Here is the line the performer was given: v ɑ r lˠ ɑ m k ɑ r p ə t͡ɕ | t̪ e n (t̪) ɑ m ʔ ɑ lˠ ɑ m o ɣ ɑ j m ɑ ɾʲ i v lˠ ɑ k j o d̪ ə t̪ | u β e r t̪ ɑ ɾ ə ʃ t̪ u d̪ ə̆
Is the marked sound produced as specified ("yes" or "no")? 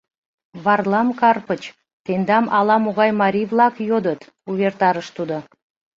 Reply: no